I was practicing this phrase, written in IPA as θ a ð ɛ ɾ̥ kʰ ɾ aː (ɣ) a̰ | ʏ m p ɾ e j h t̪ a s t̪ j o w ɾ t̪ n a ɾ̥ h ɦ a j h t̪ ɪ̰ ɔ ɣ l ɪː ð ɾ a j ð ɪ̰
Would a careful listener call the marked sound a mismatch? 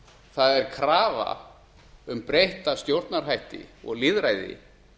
yes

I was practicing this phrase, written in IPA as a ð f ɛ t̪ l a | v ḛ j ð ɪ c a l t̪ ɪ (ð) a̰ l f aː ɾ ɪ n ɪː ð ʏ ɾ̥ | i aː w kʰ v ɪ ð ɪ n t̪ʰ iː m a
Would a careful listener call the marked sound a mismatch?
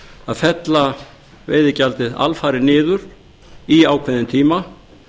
no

